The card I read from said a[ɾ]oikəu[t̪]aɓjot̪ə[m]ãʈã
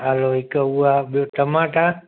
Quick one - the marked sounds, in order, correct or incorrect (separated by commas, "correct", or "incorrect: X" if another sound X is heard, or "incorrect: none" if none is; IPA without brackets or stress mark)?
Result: incorrect: l, incorrect: none, correct